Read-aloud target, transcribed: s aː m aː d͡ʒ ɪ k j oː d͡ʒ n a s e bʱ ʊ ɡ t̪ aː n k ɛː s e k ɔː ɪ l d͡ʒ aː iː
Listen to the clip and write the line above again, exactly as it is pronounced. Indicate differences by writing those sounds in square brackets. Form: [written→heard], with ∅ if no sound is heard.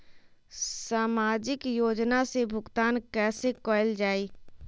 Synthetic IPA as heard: s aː m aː d͡ʒ ɪ k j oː d͡ʒ n a s e bʱ ʊ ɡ t̪ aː n k ɛː s e k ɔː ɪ l d͡ʒ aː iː